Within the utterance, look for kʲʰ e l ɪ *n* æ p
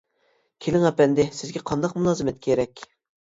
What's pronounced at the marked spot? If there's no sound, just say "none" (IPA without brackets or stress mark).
ŋ